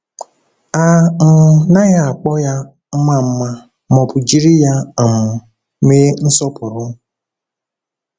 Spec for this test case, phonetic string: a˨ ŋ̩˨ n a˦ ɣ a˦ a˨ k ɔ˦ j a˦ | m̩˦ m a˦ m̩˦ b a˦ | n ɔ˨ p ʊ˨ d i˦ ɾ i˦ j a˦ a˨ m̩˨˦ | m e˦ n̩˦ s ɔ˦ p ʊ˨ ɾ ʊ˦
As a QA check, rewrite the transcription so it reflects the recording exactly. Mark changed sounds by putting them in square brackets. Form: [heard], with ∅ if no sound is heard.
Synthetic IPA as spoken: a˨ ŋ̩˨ n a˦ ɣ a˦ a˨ [k͡p] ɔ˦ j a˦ | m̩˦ m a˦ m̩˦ [m] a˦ | [m] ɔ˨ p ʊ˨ [d͡ʒ] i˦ ɾ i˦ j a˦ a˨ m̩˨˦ | m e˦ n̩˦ s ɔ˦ p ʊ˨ ɾ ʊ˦